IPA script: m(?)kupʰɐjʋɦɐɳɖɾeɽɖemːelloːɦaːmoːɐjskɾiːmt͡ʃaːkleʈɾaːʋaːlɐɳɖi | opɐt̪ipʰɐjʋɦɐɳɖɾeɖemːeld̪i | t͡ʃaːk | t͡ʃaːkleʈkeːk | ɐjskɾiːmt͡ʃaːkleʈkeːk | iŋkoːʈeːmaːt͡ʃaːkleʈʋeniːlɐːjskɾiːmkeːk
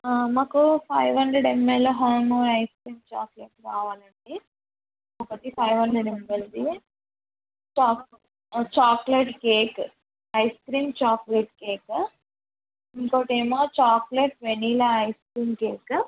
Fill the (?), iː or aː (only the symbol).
aː